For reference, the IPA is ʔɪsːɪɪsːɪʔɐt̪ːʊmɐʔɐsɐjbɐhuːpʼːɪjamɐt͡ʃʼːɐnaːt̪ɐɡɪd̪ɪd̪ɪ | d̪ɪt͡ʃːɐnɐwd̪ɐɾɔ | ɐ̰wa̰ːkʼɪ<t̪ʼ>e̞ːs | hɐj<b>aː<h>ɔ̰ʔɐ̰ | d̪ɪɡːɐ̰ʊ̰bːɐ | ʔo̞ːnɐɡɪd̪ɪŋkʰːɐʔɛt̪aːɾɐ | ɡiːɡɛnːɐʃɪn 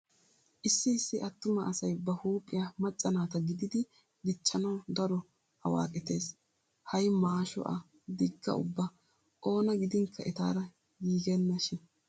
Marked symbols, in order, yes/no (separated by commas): no, no, no